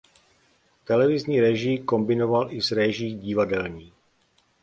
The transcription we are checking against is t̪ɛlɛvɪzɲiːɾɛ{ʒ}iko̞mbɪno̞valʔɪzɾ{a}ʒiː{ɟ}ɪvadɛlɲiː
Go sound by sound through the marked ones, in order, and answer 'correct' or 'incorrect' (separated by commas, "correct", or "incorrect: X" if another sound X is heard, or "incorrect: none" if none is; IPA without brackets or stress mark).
correct, incorrect: ɛ, correct